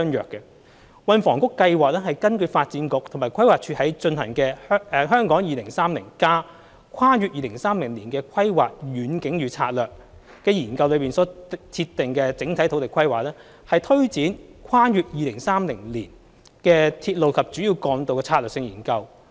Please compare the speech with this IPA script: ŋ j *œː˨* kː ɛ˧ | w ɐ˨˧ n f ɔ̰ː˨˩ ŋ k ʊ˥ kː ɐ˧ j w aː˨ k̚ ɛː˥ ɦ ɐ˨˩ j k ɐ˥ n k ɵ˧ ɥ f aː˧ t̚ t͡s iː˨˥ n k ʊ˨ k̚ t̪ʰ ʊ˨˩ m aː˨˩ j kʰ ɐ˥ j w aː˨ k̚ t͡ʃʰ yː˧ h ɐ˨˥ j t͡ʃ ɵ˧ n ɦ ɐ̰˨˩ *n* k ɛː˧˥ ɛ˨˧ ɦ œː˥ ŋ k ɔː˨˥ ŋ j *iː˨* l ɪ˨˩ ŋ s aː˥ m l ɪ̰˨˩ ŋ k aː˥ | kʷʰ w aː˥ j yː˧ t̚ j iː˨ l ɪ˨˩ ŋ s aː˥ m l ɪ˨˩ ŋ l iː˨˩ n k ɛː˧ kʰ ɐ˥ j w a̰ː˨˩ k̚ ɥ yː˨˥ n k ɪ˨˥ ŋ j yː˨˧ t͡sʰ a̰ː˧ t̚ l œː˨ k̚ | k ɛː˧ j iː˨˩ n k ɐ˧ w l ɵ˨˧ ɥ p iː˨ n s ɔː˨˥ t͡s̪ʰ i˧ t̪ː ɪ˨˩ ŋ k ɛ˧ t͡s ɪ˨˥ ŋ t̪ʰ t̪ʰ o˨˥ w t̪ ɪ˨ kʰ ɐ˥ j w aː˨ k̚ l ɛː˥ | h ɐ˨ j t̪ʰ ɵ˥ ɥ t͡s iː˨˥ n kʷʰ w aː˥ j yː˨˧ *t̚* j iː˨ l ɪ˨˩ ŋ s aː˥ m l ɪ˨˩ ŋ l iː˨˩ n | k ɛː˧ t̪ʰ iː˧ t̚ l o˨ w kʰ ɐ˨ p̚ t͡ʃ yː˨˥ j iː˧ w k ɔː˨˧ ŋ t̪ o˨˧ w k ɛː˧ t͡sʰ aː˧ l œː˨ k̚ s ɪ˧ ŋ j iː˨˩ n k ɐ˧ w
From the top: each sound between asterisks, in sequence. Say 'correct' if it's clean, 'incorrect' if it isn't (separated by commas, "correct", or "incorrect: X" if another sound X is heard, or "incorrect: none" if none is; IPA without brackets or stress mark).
correct, incorrect: ŋ, correct, correct